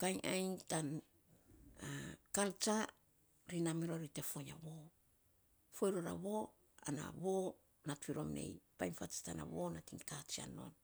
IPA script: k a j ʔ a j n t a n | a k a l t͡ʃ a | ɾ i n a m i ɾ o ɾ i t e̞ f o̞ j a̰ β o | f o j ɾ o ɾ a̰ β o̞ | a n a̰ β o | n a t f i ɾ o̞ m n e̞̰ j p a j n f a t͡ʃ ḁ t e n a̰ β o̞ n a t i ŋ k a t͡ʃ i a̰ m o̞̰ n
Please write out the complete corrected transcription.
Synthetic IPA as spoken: k a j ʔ a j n t a n | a k a l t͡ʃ a | ɾ i n a m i ɾ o ɾ i t e̞ f o̞ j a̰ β o | f o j ɾ o ɾ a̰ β o̞ | a n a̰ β o | n a t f i ɾ o̞ m n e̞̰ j p a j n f a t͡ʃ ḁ t a n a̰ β o̞ n a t i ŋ k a t͡ʃ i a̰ n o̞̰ n